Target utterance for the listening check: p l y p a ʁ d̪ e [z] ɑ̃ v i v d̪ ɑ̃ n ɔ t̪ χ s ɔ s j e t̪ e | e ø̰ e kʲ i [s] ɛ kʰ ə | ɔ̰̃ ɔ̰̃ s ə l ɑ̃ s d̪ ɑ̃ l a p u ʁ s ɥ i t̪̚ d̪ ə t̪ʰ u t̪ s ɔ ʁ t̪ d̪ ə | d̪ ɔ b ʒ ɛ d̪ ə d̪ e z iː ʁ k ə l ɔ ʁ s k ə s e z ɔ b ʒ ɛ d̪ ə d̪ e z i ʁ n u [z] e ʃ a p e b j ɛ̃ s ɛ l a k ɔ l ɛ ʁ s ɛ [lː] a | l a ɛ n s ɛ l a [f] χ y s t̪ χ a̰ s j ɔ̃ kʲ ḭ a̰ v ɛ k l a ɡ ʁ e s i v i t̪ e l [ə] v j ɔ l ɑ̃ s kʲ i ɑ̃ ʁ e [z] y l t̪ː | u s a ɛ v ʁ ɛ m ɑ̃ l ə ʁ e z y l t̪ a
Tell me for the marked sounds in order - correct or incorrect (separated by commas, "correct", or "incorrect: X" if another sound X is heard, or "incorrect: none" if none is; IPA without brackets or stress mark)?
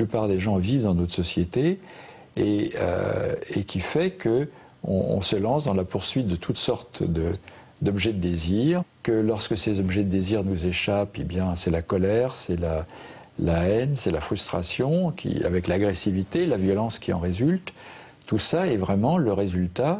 incorrect: ʒ, incorrect: f, correct, incorrect: l, correct, incorrect: a, correct